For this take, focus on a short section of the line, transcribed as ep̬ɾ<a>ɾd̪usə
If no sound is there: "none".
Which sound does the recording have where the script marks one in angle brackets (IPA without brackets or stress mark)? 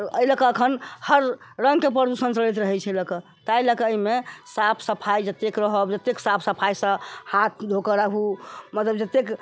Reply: ə